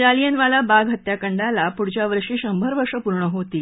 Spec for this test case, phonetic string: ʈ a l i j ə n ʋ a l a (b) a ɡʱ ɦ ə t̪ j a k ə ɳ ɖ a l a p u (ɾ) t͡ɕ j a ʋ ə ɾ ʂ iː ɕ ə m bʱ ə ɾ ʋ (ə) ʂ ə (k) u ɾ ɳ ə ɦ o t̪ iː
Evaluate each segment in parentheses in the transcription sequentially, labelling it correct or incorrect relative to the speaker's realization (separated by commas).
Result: correct, incorrect, correct, incorrect